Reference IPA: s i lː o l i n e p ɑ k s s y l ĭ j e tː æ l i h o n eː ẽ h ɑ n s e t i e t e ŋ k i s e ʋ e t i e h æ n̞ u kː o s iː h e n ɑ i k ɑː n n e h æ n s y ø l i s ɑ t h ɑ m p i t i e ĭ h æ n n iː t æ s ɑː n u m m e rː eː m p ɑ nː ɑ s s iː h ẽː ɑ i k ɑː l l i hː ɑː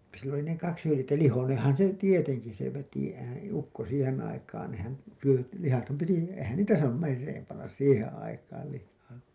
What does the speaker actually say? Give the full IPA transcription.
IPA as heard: s i lː o l i n e k ɑ k s h y l ĭ j e tː æ l i h o n eː ẽ h ɑ n s e t i e t e ŋ k i s e ʋ e t i e h æ n̞ u kː o s iː h e n ɑ i k ɑː n n e h æ n s y ø l i h ɑ t h ɑ m p i t i e ĭ h æ n n iː t æ s ɑː n u m m e rː eː m p ɑ nː ɑ s s iː h ẽː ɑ i k ɑː l l i hː ɑː